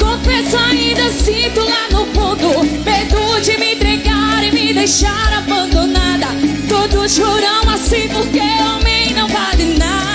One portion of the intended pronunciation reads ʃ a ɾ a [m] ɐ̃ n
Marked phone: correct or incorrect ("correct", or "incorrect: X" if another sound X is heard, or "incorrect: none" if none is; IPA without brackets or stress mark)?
incorrect: b